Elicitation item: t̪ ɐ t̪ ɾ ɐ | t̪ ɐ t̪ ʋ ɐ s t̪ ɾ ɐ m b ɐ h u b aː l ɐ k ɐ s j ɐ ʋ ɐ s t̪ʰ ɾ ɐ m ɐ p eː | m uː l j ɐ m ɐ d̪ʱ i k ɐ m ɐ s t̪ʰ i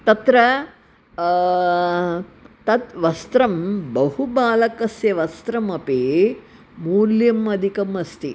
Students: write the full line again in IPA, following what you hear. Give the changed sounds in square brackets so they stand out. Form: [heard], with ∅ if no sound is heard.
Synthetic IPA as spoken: t̪ ɐ t̪ ɾ ɐ | t̪ ɐ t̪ ʋ ɐ s t̪ ɾ ɐ m b ɐ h u b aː l ɐ k ɐ s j ɐ ʋ ɐ s [t̪] ɾ ɐ m ɐ p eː | m uː l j ɐ m ɐ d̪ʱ i k ɐ m ɐ s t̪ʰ i